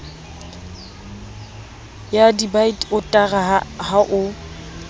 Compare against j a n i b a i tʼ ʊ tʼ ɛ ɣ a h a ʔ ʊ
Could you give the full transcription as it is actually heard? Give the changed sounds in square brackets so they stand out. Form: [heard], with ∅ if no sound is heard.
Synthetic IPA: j a [d] i b a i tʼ ʊ tʼ [a] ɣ a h a ʔ ʊ